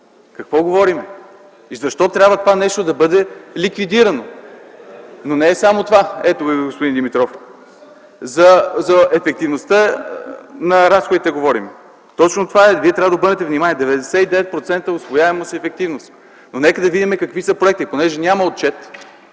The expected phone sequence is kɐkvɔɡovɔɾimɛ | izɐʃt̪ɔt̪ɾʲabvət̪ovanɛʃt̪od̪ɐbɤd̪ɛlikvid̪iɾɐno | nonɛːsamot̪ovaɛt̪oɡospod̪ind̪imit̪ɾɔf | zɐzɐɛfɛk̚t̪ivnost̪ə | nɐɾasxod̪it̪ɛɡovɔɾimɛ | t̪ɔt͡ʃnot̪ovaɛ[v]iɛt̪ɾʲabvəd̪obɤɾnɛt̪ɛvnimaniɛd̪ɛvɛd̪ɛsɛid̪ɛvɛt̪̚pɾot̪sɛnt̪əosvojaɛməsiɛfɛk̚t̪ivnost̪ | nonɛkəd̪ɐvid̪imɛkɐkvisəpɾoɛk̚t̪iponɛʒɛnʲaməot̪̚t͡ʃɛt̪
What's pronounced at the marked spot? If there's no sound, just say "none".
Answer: v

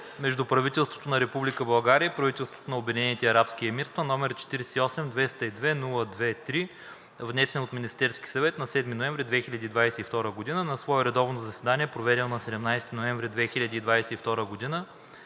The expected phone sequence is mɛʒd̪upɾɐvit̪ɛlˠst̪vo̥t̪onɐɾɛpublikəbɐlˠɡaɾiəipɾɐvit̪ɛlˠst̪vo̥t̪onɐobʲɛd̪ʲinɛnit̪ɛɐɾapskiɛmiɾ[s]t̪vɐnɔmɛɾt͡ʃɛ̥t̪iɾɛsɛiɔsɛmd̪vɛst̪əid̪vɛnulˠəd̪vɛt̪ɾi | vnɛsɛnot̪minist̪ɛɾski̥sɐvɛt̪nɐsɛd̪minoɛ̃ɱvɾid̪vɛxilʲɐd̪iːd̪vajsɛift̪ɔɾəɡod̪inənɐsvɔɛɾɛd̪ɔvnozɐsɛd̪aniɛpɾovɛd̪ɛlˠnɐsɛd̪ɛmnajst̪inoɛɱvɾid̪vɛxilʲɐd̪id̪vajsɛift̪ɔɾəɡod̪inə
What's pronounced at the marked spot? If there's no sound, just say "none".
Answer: s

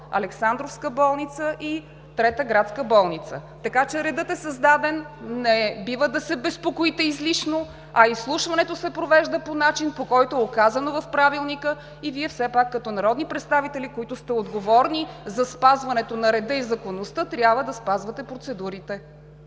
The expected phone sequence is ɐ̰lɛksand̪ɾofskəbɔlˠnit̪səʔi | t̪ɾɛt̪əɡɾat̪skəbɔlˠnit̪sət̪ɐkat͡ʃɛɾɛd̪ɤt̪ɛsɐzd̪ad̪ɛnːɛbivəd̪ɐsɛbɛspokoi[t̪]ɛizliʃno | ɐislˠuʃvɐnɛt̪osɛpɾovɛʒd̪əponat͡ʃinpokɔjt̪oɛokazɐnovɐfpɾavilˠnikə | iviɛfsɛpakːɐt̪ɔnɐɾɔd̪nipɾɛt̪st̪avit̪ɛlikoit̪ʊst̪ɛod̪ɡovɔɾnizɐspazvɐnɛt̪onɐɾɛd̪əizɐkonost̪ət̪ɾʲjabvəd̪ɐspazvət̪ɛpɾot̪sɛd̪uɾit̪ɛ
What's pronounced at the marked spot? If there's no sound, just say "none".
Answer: t̪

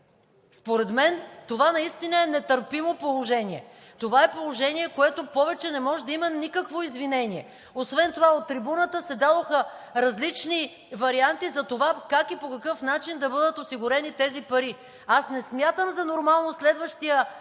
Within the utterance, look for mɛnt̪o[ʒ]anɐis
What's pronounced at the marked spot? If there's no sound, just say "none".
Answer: v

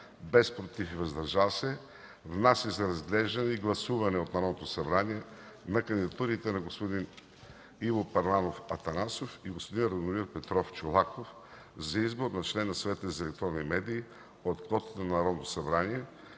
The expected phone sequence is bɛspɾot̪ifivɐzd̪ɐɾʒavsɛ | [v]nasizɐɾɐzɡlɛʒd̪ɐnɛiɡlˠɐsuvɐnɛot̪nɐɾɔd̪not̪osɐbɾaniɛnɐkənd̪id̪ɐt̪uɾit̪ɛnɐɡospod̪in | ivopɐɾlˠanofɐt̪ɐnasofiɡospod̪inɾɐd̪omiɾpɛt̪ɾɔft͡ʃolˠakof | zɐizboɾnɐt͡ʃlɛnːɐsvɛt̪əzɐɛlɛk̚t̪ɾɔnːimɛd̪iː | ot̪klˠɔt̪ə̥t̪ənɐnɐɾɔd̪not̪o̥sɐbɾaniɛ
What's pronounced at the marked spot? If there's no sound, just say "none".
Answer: v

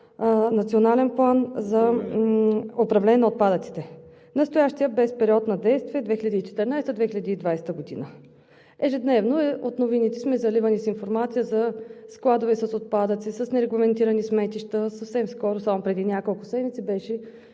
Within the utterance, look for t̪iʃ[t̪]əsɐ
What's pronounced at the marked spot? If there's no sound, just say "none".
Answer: t̪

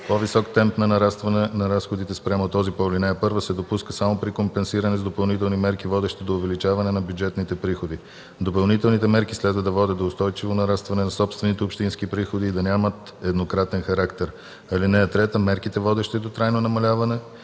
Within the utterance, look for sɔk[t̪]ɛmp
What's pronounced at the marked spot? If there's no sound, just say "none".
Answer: t̪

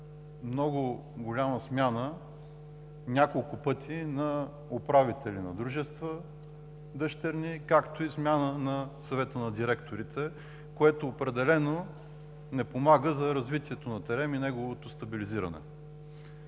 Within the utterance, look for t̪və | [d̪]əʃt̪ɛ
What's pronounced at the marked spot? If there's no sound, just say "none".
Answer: d̪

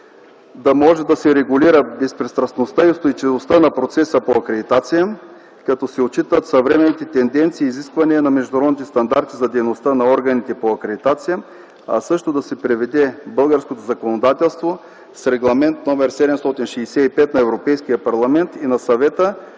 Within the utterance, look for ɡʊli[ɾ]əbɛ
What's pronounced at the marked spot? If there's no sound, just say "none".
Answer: ɾ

